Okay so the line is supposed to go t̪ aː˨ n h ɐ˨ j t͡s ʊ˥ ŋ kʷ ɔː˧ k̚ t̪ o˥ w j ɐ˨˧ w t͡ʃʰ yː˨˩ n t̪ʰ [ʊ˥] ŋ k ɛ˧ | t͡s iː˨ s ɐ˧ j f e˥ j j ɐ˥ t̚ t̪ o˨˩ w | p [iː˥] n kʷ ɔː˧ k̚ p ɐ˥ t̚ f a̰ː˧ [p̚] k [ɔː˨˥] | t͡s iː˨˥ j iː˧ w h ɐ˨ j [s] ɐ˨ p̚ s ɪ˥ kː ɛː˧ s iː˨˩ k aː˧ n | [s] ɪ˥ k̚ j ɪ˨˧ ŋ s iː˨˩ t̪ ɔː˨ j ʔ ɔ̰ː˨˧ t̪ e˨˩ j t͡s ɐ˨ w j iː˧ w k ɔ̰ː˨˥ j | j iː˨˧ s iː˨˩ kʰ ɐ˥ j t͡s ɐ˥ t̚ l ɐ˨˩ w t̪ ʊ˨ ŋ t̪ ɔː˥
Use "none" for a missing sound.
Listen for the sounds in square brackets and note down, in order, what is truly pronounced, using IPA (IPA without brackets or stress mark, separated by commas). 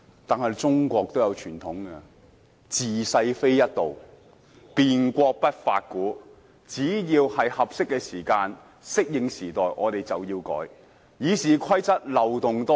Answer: ʊ˨˥, iː˨, t̚, uː˨˥, h, s